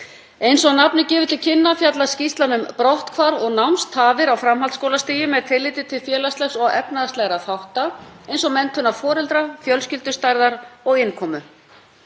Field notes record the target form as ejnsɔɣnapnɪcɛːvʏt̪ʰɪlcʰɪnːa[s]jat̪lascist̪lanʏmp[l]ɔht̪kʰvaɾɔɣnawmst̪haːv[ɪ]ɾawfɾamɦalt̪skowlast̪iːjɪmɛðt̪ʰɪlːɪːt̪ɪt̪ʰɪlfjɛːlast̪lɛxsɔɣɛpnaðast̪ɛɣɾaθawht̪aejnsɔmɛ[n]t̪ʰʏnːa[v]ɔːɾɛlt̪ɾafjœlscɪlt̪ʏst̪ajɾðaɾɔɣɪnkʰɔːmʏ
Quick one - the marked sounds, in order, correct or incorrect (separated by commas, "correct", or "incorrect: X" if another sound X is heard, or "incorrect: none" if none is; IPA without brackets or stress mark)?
incorrect: f, incorrect: ɾ, correct, correct, incorrect: f